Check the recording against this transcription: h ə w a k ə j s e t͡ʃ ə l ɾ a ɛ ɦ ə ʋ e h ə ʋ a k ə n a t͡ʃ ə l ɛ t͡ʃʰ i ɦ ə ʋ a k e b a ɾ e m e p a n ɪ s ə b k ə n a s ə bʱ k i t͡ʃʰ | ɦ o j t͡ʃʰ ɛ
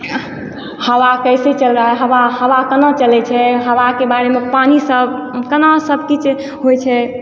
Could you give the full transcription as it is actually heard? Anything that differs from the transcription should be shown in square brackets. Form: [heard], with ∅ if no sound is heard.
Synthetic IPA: h ə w a k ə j s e t͡ʃ ə l ɾ a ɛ ɦ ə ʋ [a] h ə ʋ a k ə n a t͡ʃ ə l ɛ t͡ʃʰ [ɛ] ɦ ə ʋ a k e b a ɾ e m e p a n [i] s ə b k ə n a s ə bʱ k i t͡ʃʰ | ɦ o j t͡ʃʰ ɛ